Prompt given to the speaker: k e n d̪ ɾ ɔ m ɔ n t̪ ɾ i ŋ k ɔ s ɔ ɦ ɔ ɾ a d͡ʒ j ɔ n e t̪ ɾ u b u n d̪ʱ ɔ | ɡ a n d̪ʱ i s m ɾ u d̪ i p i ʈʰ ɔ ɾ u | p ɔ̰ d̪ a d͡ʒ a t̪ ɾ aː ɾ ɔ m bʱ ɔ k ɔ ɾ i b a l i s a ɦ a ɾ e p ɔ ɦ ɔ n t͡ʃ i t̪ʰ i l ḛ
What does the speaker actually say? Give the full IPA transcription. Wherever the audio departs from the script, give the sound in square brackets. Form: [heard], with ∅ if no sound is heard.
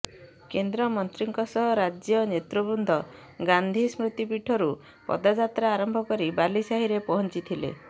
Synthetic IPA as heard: k e n d̪ ɾ ɔ m ɔ n t̪ ɾ i ŋ k ɔ s ɔ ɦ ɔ ɾ a d͡ʒ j ɔ n e t̪ ɾ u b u n d̪ʱ ɔ | ɡ a n d̪ʱ i s m ɾ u [t̪] i p i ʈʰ ɔ ɾ u | p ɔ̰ d̪ a d͡ʒ a t̪ ɾ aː ɾ ɔ m bʱ ɔ k ɔ ɾ i b a l i s a ɦ [i] ɾ e p ɔ ɦ ɔ n t͡ʃ i t̪ʰ i l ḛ